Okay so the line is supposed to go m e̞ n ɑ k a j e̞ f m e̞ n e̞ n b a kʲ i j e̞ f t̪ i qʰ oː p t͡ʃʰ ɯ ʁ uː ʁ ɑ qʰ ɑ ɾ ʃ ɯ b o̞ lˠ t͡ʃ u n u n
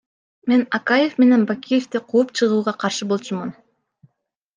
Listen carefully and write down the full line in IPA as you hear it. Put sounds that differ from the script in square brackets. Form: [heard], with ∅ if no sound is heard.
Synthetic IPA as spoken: m e̞ n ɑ k a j e̞ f m e̞ n e̞ n b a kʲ i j e̞ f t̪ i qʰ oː p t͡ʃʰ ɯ ʁ uː ʁ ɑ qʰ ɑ ɾ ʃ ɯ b o̞ lˠ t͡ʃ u [m] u n